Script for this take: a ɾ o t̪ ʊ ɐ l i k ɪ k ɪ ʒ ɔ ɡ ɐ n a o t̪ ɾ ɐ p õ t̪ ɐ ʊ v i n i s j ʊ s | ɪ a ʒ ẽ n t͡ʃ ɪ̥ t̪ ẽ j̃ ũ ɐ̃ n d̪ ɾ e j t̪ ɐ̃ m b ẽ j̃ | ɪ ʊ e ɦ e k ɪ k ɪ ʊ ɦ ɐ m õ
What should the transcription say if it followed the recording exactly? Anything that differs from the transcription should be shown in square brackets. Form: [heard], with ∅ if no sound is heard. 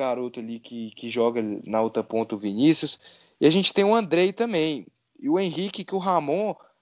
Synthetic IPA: a ɾ o t̪ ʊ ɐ l i k ɪ k ɪ ʒ ɔ ɡ ɐ n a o t̪ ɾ ɐ p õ t̪ ɐ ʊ v i n i s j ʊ s | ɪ a ʒ ẽ n t͡ʃ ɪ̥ t̪ ẽ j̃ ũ ɐ̃ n d̪ ɾ e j t̪ ɐ̃ m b ẽ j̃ | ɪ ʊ [ẽ] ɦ [i] k ɪ k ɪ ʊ ɦ [a] m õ